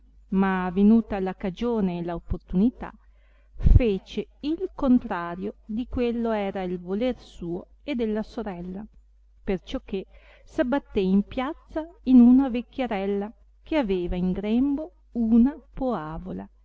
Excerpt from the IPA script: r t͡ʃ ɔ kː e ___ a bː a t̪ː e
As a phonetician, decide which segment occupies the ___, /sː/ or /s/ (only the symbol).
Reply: s